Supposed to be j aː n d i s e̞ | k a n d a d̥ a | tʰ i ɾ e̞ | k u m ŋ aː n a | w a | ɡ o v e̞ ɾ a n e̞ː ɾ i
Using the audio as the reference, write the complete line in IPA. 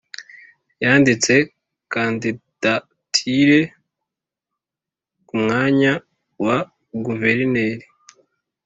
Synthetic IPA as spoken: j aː n d i t͡s e̞ | k a n d i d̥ a | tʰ i ɾ e̞ | k u m ŋ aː ɲ a | w a | ɡ u v e̞ ɾ i n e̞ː ɾ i